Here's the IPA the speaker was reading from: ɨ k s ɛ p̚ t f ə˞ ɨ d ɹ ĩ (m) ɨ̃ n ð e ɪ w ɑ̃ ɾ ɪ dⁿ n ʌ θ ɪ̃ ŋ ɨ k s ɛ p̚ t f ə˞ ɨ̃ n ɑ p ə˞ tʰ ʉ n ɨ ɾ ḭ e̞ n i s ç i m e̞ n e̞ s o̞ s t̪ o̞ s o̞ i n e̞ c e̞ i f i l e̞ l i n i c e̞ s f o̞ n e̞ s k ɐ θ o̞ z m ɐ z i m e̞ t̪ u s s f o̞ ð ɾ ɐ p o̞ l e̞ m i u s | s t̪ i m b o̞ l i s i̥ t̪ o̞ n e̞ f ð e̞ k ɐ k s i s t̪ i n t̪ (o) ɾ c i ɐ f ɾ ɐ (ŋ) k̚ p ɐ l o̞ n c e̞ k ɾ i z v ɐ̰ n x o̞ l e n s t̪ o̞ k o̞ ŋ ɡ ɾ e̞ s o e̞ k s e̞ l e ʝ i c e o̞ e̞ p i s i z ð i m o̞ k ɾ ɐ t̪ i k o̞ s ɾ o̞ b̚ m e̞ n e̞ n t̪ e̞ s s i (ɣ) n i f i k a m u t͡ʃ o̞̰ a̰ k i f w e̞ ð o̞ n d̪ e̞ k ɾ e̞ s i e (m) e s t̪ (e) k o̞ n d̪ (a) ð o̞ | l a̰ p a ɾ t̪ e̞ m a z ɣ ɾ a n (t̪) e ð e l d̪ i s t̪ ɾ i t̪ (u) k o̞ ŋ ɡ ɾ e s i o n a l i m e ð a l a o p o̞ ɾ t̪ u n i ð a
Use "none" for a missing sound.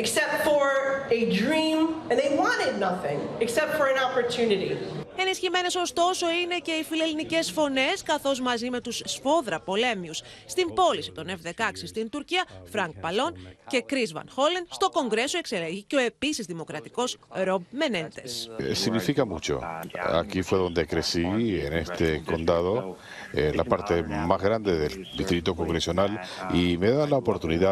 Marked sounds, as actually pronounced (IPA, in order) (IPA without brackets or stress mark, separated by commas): m, u, ŋ, ɣ, n, e, a, d̪, o